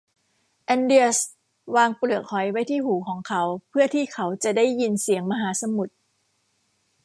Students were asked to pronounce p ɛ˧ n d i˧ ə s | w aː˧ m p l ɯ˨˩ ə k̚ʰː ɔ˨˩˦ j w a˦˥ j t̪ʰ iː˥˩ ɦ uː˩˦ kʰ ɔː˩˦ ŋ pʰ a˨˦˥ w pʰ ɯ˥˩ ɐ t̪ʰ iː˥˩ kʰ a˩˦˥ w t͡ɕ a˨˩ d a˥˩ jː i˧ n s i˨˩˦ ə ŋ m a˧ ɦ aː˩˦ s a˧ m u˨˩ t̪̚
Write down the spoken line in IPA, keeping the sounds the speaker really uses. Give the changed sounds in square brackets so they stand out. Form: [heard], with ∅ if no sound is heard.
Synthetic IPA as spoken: [ʔ] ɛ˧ n d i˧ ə s | w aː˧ [ŋ] p l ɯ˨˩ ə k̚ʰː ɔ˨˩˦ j w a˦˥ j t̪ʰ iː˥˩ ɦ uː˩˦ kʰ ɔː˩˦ ŋ [kʰ] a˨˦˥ w pʰ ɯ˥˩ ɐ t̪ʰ iː˥˩ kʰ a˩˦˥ w t͡ɕ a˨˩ d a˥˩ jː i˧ n s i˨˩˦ ə ŋ m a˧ ɦ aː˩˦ s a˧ m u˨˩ t̪̚

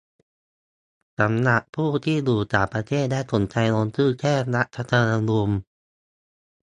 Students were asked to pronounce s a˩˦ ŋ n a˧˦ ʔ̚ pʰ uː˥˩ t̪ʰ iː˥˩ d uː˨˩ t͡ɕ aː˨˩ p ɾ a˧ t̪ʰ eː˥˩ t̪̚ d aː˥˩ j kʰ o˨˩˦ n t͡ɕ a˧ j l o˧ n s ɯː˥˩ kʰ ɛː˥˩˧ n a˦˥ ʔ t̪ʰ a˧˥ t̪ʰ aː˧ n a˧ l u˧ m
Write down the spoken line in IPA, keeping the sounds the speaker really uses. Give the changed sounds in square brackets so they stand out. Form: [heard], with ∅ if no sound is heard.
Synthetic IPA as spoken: s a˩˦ [m] n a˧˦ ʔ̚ pʰ uː˥˩ t̪ʰ iː˥˩ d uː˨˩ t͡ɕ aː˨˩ p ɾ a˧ t̪ʰ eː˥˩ t̪̚ d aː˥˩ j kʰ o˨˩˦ n t͡ɕ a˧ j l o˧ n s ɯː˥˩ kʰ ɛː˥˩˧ n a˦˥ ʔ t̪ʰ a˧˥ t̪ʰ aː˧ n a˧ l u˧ m

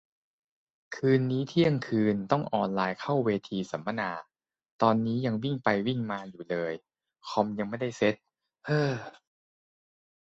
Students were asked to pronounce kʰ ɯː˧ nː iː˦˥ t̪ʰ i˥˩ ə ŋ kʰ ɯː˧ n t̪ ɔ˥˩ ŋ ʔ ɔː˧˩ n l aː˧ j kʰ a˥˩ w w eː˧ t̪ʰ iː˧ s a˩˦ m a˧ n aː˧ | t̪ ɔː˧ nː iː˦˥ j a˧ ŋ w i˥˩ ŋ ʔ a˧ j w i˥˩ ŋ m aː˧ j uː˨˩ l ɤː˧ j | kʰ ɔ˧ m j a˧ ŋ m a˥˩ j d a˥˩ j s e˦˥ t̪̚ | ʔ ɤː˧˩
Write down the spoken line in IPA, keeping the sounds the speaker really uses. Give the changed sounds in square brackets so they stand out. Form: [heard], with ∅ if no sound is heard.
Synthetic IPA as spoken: kʰ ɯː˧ nː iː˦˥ t̪ʰ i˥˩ ə ŋ kʰ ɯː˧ n t̪ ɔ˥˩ ŋ ʔ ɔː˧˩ n l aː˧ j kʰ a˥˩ w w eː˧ t̪ʰ iː˧ s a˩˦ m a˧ n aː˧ | t̪ ɔː˧ nː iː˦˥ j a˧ ŋ w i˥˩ ŋ [p] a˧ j w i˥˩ ŋ m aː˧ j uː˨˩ l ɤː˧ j | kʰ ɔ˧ m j a˧ ŋ m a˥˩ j d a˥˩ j s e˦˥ t̪̚ | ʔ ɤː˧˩

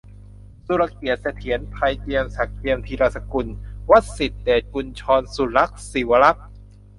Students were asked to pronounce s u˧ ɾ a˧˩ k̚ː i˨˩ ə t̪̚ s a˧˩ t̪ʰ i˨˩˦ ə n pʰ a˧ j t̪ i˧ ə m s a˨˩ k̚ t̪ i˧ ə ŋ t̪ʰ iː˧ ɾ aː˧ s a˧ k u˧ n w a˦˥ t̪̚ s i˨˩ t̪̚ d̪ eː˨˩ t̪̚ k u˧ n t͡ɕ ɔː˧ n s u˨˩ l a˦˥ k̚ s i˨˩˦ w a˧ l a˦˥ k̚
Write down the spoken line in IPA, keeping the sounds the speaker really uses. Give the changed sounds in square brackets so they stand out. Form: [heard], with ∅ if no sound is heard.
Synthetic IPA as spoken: s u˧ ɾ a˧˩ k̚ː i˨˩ ə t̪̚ s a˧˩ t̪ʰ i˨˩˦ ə n pʰ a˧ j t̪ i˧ ə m s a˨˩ k̚ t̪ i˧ ə [m] t̪ʰ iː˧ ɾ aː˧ s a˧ k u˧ n w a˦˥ t̪̚ s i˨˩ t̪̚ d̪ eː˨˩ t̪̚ k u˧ n [t͡ɕʰ] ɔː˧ n s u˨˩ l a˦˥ k̚ s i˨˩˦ w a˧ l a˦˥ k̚

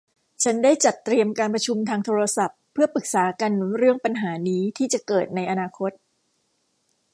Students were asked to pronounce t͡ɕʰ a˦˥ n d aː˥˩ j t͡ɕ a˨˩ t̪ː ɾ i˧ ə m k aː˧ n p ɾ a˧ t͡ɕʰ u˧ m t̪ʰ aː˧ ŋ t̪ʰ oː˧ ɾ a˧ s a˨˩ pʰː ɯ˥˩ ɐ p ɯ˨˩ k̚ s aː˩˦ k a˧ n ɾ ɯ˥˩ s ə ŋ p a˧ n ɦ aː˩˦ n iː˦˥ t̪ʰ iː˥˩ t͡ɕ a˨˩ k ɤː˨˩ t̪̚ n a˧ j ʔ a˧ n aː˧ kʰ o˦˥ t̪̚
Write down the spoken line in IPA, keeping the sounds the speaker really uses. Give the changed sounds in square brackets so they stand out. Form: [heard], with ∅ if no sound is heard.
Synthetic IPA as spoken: t͡ɕʰ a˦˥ n d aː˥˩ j t͡ɕ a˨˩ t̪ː ɾ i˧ ə m k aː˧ n p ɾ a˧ t͡ɕʰ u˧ m t̪ʰ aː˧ ŋ t̪ʰ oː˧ ɾ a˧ s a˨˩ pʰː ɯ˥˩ ɐ p ɯ˨˩ k̚ s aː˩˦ k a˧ n ɾ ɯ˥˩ [∅] ə ŋ p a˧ n ɦ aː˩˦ n iː˦˥ t̪ʰ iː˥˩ t͡ɕ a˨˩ k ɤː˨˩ t̪̚ n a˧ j ʔ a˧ n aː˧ kʰ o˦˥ t̪̚

